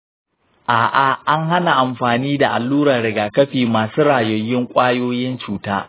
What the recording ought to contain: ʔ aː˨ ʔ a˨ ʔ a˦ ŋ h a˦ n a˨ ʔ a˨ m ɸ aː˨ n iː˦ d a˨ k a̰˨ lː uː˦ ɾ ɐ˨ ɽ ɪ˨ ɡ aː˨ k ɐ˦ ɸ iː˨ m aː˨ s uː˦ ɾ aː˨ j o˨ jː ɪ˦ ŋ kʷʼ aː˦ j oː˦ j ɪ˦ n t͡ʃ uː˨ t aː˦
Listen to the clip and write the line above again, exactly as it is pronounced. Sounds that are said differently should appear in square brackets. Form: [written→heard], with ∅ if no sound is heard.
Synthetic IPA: ʔ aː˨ ʔ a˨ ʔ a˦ ŋ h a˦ n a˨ ʔ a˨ m ɸ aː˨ n iː˦ d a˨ [k→ʔ] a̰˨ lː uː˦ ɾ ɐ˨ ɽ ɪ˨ ɡ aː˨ k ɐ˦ ɸ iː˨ m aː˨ s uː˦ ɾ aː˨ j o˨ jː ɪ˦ ŋ kʷʼ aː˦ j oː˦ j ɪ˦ n t͡ʃ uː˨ t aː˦

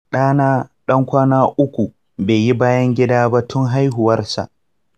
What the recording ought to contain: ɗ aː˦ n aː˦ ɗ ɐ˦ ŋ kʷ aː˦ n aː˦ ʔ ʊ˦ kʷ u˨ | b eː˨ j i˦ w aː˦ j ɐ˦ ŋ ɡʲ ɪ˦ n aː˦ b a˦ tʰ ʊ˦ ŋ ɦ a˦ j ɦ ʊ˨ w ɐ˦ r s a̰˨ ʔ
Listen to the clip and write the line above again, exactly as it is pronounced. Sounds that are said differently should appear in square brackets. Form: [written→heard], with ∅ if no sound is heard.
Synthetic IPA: ɗ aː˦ n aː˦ ɗ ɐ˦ ŋ kʷ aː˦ n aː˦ ʔ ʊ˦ kʷ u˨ | b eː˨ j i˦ [w→b] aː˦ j ɐ˦ ŋ ɡʲ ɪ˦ [n→d] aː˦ b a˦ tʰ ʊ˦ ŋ ɦ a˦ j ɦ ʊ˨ w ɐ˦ r s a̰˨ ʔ

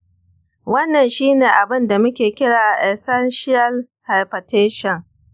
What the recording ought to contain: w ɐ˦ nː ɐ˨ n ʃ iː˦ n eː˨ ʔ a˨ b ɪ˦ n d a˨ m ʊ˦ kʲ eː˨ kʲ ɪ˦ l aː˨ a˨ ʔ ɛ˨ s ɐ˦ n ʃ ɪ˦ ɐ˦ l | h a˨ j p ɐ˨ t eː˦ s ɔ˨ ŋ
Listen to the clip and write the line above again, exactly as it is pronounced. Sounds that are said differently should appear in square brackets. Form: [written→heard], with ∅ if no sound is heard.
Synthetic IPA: w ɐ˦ nː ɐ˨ n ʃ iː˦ n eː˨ ʔ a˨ b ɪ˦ n d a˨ m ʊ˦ kʲ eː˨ kʲ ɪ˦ [l→ɽ] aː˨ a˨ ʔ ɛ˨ s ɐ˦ n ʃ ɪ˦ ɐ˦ l | h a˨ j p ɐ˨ t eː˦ [s→ʃ] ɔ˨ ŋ

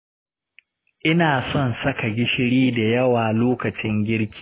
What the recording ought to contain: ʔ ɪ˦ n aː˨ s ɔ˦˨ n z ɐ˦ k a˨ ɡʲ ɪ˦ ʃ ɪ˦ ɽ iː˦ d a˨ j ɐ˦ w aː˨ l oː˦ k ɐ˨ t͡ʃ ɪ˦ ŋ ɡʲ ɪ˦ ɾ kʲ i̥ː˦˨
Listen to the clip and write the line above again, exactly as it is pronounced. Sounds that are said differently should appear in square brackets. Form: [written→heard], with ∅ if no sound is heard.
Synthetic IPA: ʔ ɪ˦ n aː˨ s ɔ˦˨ n [z→s] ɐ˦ k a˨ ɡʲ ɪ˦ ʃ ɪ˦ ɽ iː˦ d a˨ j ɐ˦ w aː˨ l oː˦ k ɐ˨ t͡ʃ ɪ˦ ŋ ɡʲ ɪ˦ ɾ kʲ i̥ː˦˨

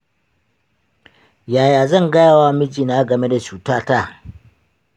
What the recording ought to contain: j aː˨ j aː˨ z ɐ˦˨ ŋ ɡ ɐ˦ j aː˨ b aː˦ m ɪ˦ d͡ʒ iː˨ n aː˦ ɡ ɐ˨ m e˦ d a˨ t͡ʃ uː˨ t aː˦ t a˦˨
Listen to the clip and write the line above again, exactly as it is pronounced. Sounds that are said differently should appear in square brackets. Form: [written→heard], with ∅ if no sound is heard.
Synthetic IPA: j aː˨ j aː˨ z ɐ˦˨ ŋ ɡ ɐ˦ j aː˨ [b→w] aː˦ m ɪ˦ d͡ʒ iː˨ n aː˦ ɡ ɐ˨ m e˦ d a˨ t͡ʃ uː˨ t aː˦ t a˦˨

